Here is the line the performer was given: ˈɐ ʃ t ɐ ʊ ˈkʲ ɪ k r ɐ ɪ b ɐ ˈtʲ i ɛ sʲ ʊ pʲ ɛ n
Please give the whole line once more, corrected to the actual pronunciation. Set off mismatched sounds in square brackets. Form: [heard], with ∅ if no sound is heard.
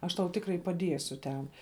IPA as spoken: ˈɐ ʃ t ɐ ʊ [ˈtʲ] ɪ k r ɐ ɪ [p] ɐ [ˈdʲ] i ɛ sʲ ʊ [tʲ] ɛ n